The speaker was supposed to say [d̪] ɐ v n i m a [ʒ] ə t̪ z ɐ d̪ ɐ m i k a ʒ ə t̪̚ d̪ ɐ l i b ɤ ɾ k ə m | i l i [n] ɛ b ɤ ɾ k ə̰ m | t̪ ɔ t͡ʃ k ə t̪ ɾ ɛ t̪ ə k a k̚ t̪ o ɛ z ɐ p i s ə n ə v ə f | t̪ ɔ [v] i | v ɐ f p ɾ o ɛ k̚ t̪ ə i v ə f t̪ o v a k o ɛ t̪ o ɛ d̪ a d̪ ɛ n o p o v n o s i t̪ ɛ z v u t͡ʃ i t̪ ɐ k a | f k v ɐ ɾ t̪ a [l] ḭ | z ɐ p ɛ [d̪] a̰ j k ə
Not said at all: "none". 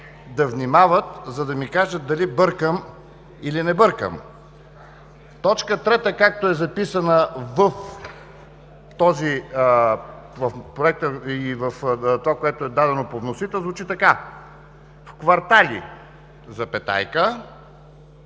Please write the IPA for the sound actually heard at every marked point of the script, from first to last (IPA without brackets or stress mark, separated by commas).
d̪, v, n, z, l, t̪